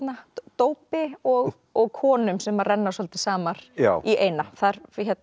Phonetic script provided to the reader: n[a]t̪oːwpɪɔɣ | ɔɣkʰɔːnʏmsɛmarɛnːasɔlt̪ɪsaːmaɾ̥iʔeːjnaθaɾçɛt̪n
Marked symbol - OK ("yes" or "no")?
yes